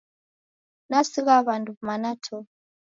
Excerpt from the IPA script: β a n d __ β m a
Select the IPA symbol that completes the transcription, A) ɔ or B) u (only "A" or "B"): B